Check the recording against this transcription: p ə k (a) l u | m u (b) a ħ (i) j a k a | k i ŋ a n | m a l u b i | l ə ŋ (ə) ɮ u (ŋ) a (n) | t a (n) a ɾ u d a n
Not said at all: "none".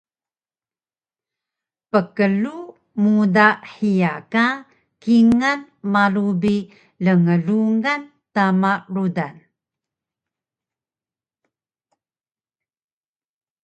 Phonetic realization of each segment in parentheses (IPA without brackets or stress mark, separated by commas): ə, d, i, ə, ŋ, n, m